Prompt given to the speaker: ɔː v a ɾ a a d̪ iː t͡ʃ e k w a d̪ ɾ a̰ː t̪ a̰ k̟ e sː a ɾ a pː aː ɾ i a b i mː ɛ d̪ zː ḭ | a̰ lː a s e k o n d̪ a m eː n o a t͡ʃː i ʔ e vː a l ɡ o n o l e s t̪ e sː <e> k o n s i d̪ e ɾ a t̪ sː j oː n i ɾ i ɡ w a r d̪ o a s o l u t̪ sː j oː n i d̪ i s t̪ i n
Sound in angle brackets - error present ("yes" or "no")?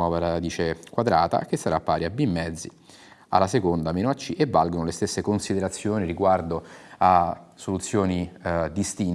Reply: no